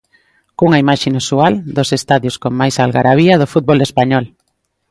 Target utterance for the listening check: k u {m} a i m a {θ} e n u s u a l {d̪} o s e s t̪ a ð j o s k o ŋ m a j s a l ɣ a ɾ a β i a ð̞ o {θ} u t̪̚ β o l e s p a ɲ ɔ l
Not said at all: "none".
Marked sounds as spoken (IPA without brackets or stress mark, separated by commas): ŋ, ʃ, d̪, f